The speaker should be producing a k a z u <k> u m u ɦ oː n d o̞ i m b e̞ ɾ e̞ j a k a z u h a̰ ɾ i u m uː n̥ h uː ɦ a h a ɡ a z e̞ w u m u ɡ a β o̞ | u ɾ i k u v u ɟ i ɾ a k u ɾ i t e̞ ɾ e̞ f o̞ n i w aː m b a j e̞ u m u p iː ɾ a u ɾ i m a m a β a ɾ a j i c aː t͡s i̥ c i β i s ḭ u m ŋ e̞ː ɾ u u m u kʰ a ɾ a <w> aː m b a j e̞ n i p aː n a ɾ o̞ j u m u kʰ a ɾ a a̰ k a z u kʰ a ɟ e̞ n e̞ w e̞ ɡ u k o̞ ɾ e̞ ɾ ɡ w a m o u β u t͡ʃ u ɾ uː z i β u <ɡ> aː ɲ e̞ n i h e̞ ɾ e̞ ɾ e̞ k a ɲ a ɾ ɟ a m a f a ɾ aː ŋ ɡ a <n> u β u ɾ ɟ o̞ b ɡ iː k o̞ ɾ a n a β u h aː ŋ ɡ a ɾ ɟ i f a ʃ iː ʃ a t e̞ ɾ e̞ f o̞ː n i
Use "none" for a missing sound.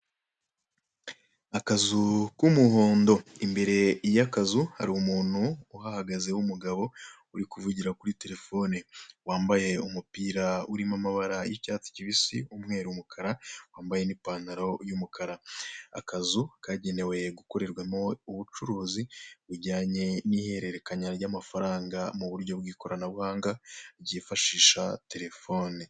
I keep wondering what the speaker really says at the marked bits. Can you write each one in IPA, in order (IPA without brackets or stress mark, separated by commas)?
k, w, ɟ, m